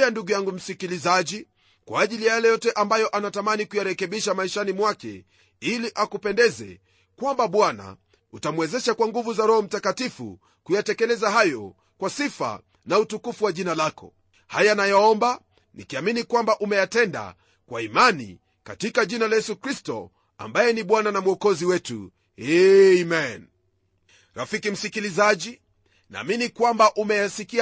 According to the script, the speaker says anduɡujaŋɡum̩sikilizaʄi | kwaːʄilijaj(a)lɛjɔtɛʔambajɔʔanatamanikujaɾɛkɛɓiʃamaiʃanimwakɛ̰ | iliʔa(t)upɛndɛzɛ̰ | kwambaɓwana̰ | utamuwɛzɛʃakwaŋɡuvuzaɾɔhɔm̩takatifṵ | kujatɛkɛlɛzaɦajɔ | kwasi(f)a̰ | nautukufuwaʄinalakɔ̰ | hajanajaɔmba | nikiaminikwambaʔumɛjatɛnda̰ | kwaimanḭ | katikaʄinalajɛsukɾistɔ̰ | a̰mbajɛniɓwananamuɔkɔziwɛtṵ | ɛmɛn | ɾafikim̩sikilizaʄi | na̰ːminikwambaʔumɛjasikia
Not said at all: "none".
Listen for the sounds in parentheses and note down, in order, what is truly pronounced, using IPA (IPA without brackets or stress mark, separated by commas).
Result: a, k, f